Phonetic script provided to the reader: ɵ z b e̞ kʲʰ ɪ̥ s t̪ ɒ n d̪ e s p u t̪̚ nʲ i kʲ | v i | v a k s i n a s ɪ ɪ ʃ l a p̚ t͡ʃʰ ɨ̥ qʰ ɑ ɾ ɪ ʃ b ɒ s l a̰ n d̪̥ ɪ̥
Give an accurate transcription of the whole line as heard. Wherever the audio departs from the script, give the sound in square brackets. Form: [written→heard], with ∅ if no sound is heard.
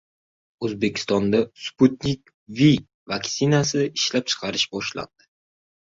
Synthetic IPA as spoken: ɵ z b e̞ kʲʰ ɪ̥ s t̪ ɒ n d̪ [e→a] s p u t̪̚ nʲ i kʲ | v i | v a k s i n a s ɪ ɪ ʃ l a p̚ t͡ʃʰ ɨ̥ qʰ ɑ ɾ ɪ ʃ b ɒ [s→ʃ] l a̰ n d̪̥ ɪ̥

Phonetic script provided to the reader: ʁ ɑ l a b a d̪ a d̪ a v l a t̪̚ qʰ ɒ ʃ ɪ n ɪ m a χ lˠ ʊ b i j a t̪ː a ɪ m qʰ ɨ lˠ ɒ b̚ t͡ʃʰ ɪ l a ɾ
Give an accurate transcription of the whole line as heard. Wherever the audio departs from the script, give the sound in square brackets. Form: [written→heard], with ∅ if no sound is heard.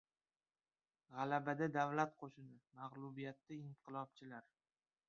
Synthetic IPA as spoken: ʁ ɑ l a b a d̪ a d̪ a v l a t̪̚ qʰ [ɒ→o] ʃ ɪ n ɪ m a [χ→ʁ] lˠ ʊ b i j a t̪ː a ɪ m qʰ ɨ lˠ ɒ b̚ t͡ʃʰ ɪ l a ɾ

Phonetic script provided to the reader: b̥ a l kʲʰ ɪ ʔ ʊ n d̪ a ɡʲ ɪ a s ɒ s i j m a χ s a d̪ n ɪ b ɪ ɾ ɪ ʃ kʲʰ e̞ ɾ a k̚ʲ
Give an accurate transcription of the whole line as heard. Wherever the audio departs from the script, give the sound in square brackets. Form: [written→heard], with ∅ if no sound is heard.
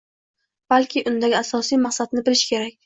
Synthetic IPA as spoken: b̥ a l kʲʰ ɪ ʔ ʊ n d̪ a ɡʲ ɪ a s ɒ s i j m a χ s a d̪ n ɪ b ɪ [ɾ→l] ɪ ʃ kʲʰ e̞ ɾ a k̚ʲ

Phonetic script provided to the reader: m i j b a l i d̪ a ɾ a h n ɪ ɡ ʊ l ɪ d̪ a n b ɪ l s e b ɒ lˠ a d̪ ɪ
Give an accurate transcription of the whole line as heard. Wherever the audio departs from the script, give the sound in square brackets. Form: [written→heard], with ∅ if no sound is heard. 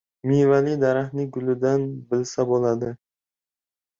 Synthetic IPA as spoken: m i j [b→v] a l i d̪ a ɾ a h n ɪ ɡ ʊ l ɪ d̪ a n b ɪ l s [e→a] b [ɒ→o] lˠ a d̪ ɪ

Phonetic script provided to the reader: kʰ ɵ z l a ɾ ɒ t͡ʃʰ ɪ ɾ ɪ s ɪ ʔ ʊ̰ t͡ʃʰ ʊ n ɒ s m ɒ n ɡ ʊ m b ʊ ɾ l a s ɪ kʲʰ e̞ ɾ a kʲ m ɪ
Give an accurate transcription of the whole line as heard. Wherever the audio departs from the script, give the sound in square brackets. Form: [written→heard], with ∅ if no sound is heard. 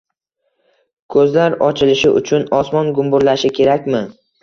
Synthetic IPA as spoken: kʰ ɵ z l a ɾ ɒ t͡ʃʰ ɪ [ɾ→l] ɪ [s→ʃ] ɪ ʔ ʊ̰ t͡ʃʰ ʊ n ɒ s m ɒ n ɡ ʊ m b ʊ ɾ l a [s→ʃ] ɪ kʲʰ e̞ ɾ a kʲ m ɪ

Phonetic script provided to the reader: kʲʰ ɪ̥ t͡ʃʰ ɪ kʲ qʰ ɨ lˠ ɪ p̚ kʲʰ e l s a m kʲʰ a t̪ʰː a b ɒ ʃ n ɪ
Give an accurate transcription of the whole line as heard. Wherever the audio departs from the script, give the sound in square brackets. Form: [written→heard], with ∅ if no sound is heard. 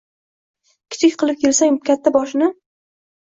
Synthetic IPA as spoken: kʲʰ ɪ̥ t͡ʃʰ ɪ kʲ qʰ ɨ lˠ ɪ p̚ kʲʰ e l s a [m→ŋ] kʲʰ a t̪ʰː a b ɒ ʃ n ɪ

